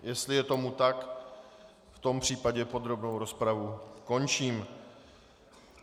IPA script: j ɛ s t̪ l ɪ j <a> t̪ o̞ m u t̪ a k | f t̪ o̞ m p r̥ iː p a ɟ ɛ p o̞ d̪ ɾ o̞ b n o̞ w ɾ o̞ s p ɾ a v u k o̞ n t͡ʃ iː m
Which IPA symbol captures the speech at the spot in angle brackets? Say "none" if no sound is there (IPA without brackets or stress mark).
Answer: ɛ